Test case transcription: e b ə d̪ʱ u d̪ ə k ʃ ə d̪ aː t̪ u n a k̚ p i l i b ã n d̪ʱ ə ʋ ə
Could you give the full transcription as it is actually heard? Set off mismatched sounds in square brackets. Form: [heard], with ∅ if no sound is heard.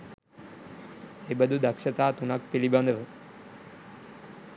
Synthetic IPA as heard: e b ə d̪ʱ u d̪ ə k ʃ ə [t̪] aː t̪ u n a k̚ p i l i b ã n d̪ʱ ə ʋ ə